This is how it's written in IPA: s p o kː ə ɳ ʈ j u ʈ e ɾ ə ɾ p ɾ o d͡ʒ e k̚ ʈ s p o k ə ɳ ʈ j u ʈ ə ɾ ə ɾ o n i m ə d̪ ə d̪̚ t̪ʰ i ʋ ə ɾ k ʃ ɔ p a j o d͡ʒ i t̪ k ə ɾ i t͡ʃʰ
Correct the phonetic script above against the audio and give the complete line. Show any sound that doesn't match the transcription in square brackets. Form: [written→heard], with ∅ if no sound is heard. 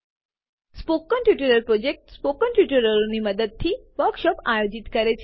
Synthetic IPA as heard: s p o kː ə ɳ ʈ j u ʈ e ɾ ə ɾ p ɾ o d͡ʒ e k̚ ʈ s p o k ə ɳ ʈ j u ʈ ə ɾ ə ɾ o n i m ə d̪ ə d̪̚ t̪ʰ i ʋ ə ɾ k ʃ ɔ p a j o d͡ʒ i t̪ k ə ɾ [i→e] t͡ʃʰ